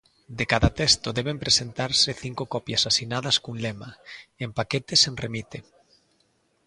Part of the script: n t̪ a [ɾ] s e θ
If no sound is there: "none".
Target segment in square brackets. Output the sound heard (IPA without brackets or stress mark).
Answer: ɾ